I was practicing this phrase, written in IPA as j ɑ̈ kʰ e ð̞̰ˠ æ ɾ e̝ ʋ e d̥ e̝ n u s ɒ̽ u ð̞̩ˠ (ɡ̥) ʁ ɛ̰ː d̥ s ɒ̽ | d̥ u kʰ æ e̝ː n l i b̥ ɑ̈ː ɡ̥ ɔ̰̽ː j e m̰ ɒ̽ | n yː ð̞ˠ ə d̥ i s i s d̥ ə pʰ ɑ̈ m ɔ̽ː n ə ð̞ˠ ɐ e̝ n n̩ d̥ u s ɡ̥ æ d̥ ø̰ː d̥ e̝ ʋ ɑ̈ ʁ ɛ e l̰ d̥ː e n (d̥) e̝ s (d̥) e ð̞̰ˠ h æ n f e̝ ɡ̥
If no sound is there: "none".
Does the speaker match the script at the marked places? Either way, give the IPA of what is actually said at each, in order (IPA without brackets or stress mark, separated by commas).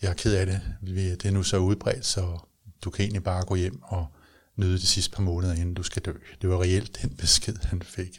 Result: b̥, b̥, ɡ̥